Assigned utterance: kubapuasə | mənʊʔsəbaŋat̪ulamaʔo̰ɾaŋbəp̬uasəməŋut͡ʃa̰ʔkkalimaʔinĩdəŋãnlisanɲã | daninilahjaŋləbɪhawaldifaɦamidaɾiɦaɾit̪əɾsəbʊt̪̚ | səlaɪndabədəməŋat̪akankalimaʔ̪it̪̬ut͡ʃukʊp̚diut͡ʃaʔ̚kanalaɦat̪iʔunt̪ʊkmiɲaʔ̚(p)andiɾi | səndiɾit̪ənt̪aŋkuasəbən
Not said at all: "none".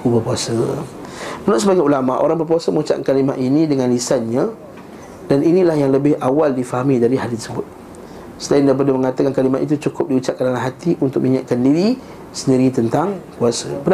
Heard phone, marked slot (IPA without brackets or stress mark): k